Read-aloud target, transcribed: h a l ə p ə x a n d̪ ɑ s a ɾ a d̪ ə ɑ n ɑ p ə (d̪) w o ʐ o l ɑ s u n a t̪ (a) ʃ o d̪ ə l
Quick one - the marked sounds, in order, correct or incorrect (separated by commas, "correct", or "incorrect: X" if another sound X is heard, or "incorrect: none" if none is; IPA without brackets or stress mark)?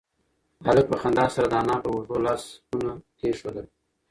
incorrect: none, incorrect: e